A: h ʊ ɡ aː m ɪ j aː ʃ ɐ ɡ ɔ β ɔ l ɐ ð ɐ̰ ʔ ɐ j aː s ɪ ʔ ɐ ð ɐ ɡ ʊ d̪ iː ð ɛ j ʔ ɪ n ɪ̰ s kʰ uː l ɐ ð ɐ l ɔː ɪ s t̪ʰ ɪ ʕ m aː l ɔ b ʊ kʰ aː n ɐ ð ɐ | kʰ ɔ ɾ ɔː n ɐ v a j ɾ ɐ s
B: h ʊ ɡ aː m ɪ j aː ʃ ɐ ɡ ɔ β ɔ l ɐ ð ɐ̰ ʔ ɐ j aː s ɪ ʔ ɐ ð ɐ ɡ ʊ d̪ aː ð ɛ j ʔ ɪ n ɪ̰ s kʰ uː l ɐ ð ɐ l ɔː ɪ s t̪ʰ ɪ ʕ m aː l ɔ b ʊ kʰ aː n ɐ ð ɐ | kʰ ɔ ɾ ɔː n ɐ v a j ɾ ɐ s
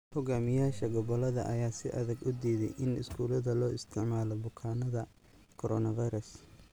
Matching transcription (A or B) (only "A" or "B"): A